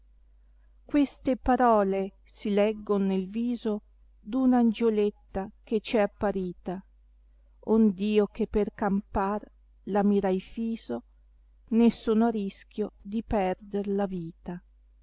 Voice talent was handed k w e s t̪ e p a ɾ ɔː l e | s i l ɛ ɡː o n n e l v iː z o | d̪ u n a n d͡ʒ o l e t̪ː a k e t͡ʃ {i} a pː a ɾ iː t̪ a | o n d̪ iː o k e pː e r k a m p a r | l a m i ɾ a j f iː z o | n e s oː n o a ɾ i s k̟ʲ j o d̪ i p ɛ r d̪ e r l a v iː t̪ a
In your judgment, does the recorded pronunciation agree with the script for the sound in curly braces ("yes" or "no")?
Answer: no